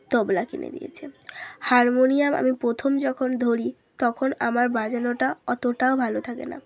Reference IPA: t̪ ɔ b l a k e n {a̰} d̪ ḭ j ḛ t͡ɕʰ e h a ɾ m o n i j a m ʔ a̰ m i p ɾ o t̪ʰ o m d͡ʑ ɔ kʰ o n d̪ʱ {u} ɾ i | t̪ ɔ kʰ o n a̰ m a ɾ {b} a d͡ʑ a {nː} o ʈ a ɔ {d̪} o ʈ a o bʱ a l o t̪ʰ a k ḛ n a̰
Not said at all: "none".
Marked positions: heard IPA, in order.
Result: ḛ, o, b, n, t̪

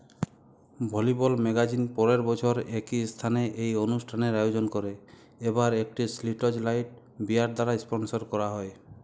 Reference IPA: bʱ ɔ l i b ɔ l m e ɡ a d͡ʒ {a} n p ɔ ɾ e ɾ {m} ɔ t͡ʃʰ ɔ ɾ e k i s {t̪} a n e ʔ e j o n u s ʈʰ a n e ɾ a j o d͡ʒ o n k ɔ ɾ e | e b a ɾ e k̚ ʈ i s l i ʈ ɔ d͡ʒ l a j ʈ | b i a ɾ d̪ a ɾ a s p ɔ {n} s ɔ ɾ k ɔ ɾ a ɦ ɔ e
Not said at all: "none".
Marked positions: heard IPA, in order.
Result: i, b, t̪ʰ, n

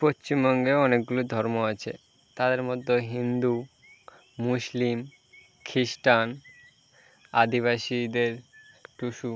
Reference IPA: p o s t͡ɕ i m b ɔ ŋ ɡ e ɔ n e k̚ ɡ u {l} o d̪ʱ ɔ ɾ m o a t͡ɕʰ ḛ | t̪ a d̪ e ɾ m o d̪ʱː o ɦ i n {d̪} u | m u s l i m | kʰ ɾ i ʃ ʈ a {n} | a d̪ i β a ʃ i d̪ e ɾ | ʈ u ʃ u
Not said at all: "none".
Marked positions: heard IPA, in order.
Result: l, d̪, n

